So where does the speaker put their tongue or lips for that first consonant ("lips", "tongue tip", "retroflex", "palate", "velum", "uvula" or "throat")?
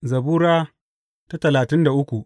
tongue tip